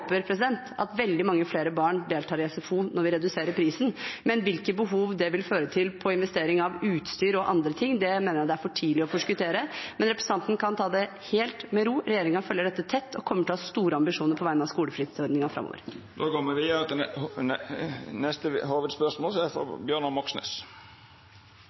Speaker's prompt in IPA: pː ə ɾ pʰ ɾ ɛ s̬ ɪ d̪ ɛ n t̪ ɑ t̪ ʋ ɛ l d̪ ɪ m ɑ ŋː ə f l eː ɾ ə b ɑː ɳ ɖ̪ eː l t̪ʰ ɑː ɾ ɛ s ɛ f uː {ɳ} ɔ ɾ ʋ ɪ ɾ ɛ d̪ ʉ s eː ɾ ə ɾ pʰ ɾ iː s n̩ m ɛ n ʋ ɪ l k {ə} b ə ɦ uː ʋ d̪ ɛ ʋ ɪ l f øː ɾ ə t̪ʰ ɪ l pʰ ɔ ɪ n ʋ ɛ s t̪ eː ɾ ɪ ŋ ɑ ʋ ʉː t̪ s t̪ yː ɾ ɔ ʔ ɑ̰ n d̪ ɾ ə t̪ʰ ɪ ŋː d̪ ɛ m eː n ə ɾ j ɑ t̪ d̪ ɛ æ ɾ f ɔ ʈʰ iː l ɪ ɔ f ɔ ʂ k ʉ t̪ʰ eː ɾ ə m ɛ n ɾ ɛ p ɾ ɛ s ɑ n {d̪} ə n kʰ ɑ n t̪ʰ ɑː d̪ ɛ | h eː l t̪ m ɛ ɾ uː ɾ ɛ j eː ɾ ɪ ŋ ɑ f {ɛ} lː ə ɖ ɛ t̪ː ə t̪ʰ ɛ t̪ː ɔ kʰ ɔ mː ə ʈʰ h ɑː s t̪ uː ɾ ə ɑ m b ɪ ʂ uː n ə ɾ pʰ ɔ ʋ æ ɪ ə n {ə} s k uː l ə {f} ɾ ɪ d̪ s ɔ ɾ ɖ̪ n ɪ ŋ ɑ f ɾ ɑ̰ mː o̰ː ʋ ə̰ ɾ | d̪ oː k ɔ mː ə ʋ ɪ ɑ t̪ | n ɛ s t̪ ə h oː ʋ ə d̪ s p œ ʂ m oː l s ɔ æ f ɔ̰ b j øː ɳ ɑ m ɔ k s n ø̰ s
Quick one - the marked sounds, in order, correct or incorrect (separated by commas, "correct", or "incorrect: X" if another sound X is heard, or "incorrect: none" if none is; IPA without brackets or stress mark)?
incorrect: n, correct, incorrect: t̪, incorrect: œ, incorrect: ɑ, correct